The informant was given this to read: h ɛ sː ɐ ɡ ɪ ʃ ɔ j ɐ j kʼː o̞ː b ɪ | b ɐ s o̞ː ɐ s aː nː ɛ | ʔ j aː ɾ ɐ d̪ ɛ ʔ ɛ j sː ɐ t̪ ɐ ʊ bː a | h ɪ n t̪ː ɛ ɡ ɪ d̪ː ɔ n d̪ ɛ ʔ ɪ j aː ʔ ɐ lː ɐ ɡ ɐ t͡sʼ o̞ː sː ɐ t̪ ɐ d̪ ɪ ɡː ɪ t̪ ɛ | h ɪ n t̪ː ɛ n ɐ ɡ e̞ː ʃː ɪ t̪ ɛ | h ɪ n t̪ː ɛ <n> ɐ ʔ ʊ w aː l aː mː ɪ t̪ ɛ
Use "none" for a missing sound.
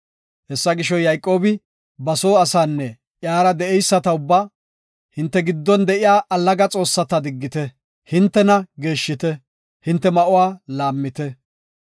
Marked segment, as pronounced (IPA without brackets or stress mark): m